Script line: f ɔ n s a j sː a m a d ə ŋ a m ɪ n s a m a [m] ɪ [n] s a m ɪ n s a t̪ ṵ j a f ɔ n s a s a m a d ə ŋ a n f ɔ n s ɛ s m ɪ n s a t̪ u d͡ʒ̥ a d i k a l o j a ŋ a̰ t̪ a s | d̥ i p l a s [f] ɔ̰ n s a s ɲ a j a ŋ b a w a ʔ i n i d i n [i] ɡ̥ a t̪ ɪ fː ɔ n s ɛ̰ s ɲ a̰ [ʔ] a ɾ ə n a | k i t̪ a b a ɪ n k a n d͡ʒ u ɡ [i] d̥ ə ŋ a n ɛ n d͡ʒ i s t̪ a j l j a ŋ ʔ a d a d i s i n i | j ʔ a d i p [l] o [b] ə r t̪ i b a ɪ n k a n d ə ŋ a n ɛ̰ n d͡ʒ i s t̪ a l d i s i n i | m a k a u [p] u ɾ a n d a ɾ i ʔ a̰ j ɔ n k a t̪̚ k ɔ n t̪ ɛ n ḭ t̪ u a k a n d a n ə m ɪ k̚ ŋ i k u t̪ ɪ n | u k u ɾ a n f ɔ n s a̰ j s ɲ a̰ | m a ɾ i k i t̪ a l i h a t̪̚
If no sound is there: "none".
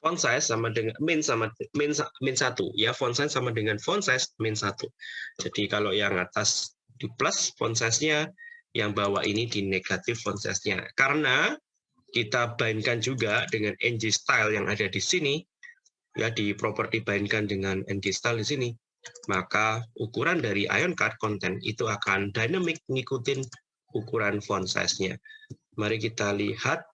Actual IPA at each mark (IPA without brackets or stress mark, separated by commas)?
m, n, f, e, k, a, ɾ, p, k